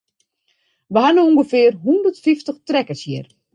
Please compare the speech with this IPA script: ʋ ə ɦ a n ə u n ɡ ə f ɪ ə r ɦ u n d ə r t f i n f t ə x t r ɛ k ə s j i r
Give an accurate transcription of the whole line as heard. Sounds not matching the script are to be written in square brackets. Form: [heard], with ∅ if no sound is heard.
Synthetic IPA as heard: ʋ ə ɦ a n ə u [ŋ] ɡ ə f ɪ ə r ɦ u n d ə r t f i [∅] f t ə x t r ɛ k ə s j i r